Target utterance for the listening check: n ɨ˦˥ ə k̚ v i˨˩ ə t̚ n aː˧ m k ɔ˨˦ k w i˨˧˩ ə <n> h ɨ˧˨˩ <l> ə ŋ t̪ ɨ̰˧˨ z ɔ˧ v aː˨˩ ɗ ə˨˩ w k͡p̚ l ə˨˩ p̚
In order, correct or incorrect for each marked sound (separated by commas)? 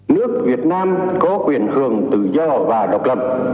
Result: correct, incorrect